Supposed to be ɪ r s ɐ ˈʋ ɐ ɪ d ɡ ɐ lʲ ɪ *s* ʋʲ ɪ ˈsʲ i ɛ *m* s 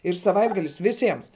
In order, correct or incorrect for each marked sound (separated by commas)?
correct, correct